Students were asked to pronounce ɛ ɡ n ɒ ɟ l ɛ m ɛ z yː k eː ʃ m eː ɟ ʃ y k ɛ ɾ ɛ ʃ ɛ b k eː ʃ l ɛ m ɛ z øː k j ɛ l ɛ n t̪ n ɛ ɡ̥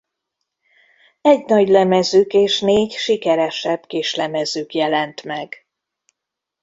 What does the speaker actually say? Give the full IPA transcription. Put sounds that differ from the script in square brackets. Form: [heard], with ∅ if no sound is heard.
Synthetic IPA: ɛ [ɟ] n ɒ ɟ l ɛ m ɛ z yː k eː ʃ [n] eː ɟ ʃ [i] k ɛ ɾ ɛ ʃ ɛ b k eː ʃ l ɛ m ɛ z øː k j ɛ l ɛ n t̪ [m] ɛ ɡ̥

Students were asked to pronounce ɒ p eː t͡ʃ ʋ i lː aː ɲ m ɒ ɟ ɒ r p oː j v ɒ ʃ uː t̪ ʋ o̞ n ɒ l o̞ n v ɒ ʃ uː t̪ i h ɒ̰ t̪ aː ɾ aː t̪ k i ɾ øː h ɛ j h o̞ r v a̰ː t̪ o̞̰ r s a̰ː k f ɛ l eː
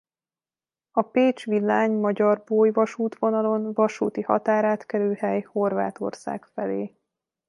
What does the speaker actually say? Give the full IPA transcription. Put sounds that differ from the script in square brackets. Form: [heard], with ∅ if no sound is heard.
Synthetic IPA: ɒ p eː t͡ʃ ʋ i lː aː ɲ m ɒ ɟ ɒ r [b] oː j v ɒ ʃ uː t̪ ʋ o̞ n ɒ l o̞ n v ɒ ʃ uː t̪ i h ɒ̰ t̪ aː ɾ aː t̪ k [ɛ] ɾ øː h ɛ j h o̞ r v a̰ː t̪ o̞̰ r s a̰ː k f ɛ l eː

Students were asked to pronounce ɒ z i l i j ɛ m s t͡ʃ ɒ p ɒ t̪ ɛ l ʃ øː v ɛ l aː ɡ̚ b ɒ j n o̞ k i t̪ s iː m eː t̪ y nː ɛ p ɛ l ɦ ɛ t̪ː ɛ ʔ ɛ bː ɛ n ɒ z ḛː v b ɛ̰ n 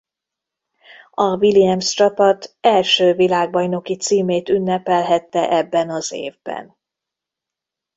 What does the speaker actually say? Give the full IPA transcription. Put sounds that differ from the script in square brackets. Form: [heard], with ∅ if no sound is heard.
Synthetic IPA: ɒ [v] i l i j ɛ m s t͡ʃ ɒ p ɒ t̪ ɛ l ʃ øː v [i] l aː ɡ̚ b ɒ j n o̞ k i t̪ s iː m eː t̪ y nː ɛ p ɛ l ɦ ɛ t̪ː ɛ ʔ ɛ bː ɛ n ɒ z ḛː v b ɛ̰ n

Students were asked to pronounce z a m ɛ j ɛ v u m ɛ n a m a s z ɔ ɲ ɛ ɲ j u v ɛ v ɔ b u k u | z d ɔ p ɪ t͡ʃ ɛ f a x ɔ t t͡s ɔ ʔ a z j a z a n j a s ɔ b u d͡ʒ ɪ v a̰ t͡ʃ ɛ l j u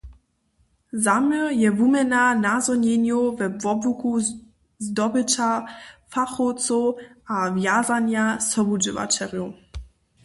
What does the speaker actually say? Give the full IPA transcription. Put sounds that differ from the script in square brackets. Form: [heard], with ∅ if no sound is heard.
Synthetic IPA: z a m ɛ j ɛ v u m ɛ n a [n] a [∅] z ɔ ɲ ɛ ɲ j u v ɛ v ɔ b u k u | z d ɔ [b] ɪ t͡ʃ [a] f a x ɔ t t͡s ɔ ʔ a [v] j a z a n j a s ɔ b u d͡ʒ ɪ v a̰ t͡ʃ ɛ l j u

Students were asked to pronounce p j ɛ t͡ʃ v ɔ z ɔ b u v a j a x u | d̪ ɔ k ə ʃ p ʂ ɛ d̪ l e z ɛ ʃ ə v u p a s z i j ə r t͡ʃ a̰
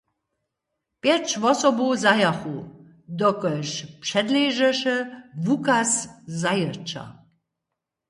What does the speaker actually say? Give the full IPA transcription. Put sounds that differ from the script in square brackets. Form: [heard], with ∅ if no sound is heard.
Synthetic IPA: p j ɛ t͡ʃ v ɔ [s] ɔ b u [z] a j a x u | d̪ ɔ k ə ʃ p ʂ ɛ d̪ l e [ʒ] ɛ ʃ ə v u [k] a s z [a] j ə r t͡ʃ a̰

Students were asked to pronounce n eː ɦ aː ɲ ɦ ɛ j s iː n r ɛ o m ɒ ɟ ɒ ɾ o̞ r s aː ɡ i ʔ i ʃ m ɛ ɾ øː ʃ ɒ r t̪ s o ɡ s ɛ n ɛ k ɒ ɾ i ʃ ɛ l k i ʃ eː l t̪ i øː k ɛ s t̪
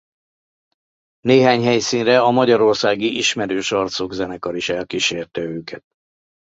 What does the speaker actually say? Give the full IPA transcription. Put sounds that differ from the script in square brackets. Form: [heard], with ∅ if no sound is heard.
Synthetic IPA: n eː ɦ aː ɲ ɦ ɛ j s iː n r ɛ [ɒ] m ɒ ɟ ɒ ɾ o̞ r s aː ɡ i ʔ i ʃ m ɛ ɾ øː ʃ ɒ r t̪ s o ɡ [z] ɛ n ɛ k ɒ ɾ i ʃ ɛ l k i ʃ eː [r] t̪ [ɛ] øː k ɛ [∅] t̪

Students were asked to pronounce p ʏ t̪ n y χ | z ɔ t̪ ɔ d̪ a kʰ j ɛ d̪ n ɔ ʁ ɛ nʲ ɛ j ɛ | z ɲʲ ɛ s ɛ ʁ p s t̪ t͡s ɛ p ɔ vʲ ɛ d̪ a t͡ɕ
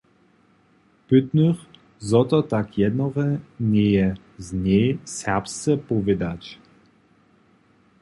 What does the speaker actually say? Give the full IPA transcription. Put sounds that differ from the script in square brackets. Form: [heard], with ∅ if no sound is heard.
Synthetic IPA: p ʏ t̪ n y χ | z ɔ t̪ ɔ [t̪] a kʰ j ɛ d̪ n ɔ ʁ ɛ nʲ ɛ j ɛ | z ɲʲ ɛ s ɛ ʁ p s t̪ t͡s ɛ p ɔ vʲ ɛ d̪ a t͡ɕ

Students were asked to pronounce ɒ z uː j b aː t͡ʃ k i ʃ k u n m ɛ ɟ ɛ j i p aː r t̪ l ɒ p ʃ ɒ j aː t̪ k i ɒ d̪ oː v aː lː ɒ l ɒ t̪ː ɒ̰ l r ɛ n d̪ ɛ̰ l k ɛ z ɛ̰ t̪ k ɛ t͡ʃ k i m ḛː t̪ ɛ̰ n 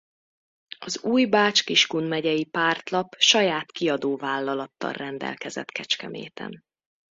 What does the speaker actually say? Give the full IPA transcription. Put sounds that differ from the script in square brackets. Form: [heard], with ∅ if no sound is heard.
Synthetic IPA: ɒ z uː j b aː t͡ʃ k i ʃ k u n m ɛ ɟ ɛ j i p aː r t̪ l ɒ p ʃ ɒ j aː t̪ k i ɒ d̪ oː v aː lː ɒ l ɒ t̪ː ɒ̰ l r ɛ n d̪ ɛ̰ l k ɛ z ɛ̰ t̪ k ɛ t͡ʃ k [ɛ] m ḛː t̪ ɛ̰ n

